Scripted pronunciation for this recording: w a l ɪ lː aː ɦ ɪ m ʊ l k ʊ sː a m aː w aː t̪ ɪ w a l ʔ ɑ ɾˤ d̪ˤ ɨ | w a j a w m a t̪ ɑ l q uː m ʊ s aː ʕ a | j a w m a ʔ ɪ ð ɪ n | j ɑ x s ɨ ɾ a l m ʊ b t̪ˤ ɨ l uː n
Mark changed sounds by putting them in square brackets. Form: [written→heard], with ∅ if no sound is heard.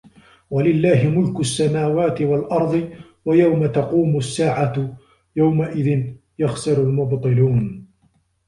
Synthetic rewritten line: w a l ɪ lː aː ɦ ɪ m ʊ l k ʊ sː a m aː w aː t̪ ɪ w a l ʔ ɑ ɾˤ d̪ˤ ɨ | w a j a w m a t̪ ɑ [l→∅] q uː m ʊ [s→sː] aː ʕ a | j a w m a ʔ ɪ ð ɪ n | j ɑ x s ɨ ɾ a l m ʊ b t̪ˤ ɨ l uː n